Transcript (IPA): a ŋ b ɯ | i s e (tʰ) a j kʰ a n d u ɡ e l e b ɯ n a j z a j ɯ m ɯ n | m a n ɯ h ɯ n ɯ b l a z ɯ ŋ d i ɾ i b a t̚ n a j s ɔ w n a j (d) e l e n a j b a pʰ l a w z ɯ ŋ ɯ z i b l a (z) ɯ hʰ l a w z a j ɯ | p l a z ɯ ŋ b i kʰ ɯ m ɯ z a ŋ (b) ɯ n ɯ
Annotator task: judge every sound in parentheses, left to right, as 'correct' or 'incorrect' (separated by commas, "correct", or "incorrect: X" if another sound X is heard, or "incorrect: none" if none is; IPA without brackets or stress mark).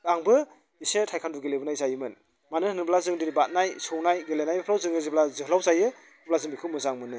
correct, incorrect: ɡ, correct, incorrect: m